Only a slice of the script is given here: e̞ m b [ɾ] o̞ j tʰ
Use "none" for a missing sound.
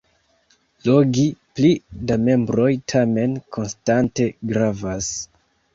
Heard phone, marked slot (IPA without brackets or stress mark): ɾ